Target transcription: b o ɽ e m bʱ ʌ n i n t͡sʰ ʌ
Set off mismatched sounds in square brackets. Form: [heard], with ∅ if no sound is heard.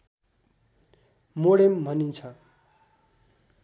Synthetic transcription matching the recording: [m] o ɽ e m bʱ ʌ n i n t͡sʰ ʌ